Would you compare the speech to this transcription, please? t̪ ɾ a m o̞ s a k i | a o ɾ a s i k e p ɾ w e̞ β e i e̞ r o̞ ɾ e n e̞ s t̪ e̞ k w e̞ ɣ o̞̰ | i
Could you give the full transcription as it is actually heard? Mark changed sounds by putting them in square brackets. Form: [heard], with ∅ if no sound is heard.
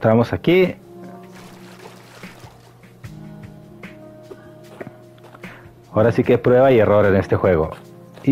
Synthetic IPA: t̪ ɾ a m o̞ s a k i | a o ɾ a s i k e p ɾ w e̞ β [a] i e̞ r o̞ ɾ e n e̞ s t̪ e̞ [x] w e̞ ɣ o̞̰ | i